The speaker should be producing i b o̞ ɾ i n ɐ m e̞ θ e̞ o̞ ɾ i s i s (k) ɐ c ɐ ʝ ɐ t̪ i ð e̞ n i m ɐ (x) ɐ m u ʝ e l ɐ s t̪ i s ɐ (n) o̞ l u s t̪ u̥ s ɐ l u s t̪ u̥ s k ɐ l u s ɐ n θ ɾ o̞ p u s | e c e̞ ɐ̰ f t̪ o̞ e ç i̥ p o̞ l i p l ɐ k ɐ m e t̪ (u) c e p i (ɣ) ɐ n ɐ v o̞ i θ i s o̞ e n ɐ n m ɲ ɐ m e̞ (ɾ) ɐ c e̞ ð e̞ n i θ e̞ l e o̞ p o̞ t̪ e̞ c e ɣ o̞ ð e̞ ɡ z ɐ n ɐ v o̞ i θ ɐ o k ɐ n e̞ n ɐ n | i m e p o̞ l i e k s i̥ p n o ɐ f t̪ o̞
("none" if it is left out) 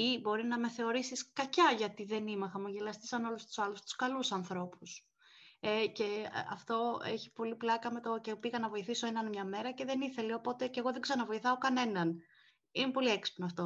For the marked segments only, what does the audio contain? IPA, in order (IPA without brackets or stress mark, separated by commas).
k, x, n, o, ɣ, ɾ